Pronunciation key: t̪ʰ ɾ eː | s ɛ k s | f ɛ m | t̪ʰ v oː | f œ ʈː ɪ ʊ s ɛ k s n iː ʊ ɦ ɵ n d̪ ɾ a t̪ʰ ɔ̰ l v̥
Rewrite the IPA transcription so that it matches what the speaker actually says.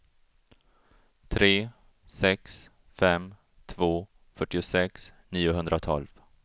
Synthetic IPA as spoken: t̪ʰ ɾ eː | s ɛ k s | f ɛ m | t̪ʰ v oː | f œ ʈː ɪ ʊ s ɛ k s n iː ʊ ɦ ɵ n d̪ ɾ a t̪ʰ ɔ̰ l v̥